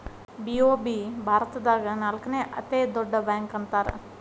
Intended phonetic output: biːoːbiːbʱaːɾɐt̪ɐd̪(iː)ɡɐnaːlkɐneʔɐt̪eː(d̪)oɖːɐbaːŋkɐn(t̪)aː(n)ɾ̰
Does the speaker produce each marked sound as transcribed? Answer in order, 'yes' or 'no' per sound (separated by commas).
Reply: no, yes, yes, no